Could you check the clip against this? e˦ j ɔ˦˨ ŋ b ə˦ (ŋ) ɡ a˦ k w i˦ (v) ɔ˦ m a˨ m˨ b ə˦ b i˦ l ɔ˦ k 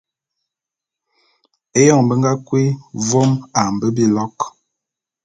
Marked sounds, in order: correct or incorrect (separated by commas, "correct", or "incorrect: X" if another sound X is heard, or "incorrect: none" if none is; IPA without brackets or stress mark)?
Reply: correct, correct